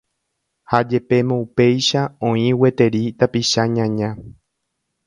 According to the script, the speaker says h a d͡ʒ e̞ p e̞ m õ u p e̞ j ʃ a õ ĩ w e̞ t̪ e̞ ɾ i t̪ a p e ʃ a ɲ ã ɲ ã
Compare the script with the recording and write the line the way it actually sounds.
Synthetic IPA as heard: h a d͡ʒ e̞ p e̞ m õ u p e̞ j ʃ a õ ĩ w e̞ t̪ e̞ ɾ i t̪ a p i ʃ a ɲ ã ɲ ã